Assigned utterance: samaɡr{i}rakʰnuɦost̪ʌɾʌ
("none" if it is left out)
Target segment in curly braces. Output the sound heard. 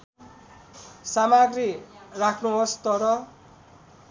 i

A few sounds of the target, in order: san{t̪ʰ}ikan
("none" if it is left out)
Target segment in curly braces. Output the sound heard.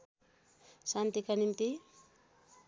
t̪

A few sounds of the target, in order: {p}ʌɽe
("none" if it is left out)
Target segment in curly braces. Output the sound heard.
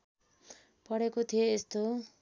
p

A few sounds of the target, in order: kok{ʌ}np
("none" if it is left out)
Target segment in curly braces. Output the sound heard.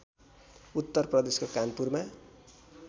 a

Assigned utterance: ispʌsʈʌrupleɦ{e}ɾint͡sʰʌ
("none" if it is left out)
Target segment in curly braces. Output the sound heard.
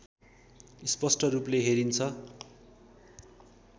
e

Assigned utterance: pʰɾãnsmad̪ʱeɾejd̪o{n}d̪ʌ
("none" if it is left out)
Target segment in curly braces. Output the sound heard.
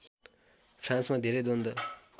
n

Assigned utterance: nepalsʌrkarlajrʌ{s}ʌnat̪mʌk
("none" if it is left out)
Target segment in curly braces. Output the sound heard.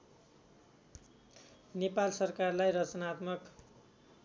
t͡s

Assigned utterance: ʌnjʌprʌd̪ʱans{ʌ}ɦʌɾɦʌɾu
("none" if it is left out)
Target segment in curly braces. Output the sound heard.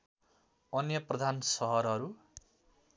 ʌ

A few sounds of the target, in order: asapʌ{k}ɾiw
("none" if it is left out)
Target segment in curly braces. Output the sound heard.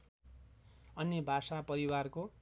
none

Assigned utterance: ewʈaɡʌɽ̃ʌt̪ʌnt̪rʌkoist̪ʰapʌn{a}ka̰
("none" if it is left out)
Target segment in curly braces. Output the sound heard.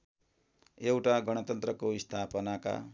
a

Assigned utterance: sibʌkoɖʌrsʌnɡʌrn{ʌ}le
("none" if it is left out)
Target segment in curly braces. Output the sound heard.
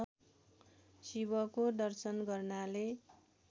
a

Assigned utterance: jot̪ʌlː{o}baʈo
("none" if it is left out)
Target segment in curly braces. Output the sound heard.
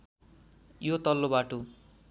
o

